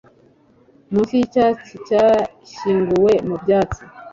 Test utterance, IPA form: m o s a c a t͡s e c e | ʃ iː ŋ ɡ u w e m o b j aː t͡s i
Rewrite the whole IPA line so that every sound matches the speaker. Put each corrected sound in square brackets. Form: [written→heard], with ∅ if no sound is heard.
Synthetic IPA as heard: m [o→u] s [a→i] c a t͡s [e→i] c [e→a] | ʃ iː ŋ ɡ u w e m [o→u] b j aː t͡s i